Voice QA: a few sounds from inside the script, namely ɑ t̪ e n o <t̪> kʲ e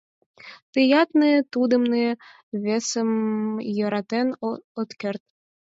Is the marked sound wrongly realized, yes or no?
no